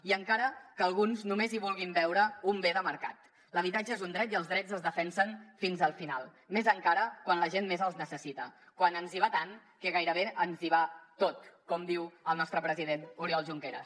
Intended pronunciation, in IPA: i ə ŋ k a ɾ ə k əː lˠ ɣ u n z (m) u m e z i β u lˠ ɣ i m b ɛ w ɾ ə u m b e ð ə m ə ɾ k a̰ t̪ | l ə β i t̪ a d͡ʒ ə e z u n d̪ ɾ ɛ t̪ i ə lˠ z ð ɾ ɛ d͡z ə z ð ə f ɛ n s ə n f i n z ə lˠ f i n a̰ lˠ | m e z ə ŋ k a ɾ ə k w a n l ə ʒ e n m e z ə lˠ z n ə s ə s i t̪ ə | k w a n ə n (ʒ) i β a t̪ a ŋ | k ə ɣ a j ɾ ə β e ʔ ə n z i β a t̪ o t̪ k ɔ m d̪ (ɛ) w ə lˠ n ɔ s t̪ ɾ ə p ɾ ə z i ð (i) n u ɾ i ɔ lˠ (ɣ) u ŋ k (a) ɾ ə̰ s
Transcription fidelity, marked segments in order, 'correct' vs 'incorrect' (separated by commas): incorrect, incorrect, incorrect, incorrect, incorrect, incorrect